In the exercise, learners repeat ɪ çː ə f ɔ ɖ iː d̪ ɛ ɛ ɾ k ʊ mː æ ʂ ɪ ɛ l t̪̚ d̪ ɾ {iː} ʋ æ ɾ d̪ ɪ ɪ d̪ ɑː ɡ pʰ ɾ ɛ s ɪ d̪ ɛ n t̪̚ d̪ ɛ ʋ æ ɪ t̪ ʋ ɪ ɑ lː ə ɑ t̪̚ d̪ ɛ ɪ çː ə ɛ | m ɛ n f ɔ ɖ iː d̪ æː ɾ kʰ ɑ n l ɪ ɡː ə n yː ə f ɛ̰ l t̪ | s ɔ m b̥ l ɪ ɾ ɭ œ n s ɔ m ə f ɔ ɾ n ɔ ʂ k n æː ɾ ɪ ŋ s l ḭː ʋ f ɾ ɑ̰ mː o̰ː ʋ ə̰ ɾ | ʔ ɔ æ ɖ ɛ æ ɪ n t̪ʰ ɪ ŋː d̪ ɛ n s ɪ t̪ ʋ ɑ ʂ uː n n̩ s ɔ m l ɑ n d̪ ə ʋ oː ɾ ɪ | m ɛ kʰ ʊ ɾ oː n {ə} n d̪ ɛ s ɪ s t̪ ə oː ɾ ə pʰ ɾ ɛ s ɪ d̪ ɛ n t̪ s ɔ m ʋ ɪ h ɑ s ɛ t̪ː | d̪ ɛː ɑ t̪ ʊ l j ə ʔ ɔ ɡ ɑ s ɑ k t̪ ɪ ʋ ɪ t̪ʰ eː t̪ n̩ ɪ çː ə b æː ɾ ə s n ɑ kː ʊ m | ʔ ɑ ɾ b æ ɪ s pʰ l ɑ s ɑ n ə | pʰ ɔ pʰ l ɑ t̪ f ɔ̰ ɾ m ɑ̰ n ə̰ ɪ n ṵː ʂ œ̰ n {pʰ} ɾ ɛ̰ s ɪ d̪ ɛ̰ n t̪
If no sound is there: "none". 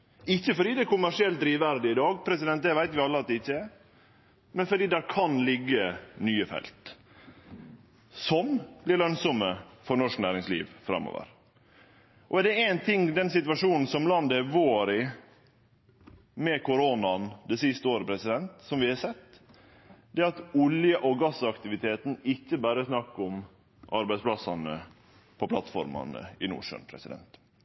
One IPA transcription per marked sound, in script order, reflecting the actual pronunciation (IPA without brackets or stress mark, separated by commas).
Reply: iː, ɑ, pʰ